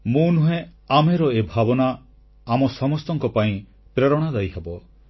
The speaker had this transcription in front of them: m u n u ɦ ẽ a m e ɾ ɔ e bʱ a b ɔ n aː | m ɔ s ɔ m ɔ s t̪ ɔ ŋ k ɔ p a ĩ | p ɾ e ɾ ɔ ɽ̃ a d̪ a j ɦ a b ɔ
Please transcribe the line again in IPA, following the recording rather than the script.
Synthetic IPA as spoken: m u n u ɦ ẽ a m e ɾ ɔ e bʱ a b ɔ n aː | m ɔ s ɔ m ɔ s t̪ ɔ ŋ k ɔ p a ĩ | p ɾ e ɾ ɔ ɽ̃ a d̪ a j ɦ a b ɔ